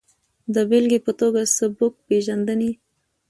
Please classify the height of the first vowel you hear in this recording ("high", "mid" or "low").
mid